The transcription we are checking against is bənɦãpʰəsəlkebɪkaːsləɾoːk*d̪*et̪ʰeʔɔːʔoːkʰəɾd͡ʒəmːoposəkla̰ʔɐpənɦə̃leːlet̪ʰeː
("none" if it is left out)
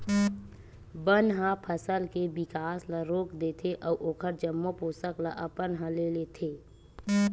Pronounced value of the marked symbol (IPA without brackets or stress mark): d̪